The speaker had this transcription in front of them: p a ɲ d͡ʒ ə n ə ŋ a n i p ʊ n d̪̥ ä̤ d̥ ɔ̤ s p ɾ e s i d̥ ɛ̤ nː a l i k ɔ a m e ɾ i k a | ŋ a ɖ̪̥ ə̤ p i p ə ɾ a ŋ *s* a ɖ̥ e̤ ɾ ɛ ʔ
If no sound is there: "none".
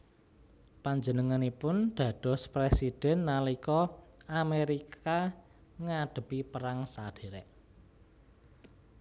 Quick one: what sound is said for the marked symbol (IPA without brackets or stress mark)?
s